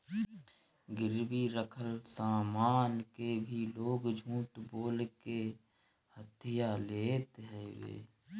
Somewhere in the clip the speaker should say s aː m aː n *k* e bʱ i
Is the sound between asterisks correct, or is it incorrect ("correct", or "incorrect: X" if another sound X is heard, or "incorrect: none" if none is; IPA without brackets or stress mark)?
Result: correct